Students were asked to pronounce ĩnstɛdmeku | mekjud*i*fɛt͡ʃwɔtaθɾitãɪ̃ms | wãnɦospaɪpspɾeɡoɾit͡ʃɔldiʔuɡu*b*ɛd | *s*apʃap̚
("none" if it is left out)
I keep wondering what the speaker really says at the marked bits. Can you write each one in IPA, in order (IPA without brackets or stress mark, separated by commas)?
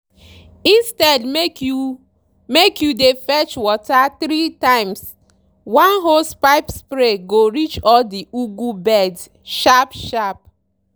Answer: e, b, ʃ